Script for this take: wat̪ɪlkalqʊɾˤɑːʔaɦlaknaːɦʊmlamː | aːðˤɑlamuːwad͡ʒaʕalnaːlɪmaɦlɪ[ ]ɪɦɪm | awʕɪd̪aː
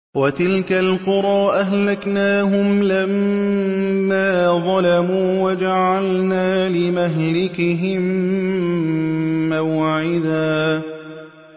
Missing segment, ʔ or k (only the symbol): k